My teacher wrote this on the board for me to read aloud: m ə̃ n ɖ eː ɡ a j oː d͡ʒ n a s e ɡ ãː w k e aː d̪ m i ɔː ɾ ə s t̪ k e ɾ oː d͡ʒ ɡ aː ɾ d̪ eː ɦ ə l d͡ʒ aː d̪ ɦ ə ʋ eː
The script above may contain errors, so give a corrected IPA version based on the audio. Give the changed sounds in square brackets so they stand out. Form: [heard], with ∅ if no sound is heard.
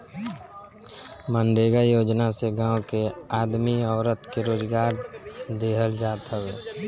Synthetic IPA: m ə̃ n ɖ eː ɡ a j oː d͡ʒ n a s e ɡ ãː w k e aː d̪ m i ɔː ɾ ə [∅] t̪ k e ɾ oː d͡ʒ ɡ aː ɾ d̪ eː ɦ ə l d͡ʒ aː [t̪] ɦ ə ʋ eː